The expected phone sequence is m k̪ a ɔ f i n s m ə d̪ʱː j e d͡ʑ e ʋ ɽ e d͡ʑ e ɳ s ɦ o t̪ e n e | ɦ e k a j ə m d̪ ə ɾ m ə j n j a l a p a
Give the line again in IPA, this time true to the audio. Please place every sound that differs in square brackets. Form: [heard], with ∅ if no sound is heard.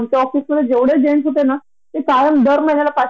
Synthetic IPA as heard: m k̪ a ɔ f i [∅] s m ə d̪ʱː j e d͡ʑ e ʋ ɽ e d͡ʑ e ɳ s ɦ o t̪ e n [a] | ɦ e k a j ə m d̪ ə ɾ m ə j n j a l a p a